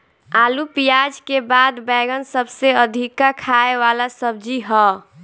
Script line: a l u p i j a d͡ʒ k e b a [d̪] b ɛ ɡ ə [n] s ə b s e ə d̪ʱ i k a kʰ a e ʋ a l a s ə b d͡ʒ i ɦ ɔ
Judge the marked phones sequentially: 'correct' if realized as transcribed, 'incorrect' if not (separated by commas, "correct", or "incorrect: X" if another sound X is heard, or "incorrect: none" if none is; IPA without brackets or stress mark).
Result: correct, correct